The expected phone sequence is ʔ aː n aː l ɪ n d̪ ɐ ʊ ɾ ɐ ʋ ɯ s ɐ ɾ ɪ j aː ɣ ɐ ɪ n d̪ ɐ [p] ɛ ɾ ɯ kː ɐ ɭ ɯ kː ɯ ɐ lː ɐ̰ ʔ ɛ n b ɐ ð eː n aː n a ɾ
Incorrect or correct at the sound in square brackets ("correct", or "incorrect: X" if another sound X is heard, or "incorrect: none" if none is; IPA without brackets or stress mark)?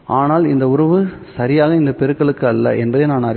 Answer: correct